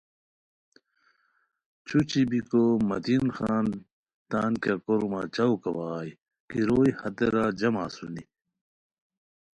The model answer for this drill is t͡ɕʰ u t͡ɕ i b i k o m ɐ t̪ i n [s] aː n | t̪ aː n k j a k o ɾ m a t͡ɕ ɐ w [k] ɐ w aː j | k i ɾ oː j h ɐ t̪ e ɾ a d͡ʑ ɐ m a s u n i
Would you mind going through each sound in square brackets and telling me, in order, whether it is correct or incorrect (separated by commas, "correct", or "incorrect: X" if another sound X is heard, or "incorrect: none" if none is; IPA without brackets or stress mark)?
incorrect: x, correct